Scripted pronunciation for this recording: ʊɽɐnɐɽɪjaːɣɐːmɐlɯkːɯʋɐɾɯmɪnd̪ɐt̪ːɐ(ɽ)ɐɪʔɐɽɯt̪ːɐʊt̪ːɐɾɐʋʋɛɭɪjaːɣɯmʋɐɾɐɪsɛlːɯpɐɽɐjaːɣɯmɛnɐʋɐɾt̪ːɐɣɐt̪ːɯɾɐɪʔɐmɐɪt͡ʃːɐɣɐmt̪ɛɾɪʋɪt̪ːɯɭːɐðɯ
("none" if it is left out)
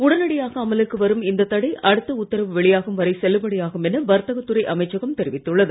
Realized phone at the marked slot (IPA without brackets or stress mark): ɽ